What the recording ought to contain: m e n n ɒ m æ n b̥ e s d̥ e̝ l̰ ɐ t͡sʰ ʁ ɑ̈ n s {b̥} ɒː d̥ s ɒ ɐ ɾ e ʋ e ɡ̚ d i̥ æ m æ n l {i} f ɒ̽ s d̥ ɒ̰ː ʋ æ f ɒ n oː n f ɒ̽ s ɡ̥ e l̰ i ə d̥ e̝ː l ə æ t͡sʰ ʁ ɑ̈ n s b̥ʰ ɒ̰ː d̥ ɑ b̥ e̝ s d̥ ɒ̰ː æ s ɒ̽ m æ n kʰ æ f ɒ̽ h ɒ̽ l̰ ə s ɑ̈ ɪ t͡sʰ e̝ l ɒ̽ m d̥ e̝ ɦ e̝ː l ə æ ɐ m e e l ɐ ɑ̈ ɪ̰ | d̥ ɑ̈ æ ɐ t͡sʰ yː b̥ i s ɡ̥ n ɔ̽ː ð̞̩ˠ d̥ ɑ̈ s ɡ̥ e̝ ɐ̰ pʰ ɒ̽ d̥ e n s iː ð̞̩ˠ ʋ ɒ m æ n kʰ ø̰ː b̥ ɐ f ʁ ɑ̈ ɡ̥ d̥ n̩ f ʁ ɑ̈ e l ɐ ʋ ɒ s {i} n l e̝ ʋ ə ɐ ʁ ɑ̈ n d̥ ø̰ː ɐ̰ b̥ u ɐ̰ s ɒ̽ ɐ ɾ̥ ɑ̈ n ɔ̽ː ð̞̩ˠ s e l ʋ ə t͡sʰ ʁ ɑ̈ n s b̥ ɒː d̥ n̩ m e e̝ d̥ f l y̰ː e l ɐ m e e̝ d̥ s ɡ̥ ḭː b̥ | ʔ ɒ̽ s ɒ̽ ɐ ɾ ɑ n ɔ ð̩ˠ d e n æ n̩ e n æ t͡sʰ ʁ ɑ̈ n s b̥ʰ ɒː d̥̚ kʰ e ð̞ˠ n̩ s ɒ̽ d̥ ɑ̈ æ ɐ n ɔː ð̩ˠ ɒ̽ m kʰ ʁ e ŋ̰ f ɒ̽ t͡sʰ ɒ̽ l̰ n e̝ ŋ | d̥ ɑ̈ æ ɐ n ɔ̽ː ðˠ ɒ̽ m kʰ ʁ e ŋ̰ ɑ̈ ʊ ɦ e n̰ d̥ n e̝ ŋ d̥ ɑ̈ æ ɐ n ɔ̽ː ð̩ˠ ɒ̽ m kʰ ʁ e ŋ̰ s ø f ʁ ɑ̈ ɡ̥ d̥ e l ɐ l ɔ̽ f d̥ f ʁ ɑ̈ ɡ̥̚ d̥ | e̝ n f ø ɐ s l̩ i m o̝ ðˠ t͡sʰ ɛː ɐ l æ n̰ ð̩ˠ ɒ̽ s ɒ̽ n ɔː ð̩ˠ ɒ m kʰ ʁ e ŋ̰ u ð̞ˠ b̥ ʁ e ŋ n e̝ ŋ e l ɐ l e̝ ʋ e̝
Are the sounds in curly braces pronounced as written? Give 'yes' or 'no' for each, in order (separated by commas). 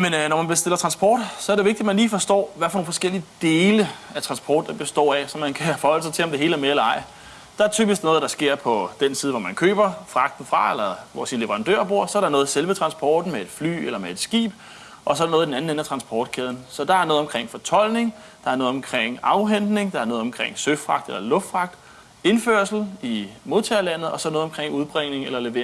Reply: yes, no, yes